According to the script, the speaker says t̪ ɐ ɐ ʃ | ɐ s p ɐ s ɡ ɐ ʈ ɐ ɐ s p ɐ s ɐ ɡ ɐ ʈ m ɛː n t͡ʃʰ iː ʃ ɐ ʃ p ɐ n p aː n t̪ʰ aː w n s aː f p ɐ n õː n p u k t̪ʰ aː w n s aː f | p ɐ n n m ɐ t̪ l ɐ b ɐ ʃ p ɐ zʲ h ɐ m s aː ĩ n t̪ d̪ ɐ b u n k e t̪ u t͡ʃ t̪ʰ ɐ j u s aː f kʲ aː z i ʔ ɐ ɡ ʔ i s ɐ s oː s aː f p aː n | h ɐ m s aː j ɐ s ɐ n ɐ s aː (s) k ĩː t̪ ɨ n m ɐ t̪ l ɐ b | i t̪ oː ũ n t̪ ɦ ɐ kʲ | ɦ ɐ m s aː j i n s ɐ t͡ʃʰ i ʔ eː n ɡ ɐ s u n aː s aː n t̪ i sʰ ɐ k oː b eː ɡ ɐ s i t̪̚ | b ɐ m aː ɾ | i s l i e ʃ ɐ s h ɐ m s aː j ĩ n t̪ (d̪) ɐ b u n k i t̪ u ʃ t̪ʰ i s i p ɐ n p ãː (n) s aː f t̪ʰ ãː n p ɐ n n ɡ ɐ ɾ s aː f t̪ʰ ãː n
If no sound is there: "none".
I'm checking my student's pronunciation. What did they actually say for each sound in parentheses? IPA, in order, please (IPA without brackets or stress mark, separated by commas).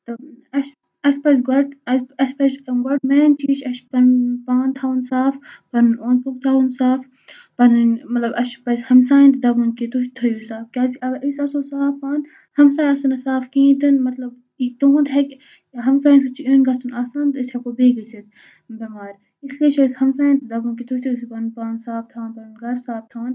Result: f, d̪, n